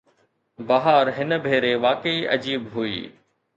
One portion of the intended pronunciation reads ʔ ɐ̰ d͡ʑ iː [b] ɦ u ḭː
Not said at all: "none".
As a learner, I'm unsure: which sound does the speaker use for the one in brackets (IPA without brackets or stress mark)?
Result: b